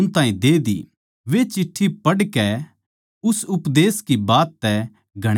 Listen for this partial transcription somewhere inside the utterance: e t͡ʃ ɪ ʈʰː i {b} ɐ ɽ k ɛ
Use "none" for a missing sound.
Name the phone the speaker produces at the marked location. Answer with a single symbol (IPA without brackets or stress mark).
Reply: p